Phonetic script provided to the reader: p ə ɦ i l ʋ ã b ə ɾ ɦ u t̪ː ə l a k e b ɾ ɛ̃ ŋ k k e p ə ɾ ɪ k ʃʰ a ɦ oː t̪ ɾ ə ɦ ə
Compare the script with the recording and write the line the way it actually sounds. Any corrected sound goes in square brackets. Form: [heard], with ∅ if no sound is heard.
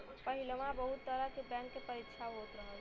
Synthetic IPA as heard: p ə ɦ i l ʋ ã b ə [∅] ɦ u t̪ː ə [ɾ] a k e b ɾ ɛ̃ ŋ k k e p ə ɾ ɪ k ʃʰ a ɦ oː t̪ ɾ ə ɦ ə